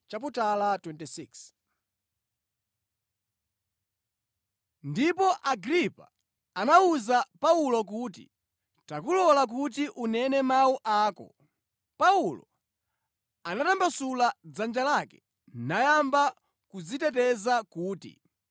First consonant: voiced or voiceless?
voiceless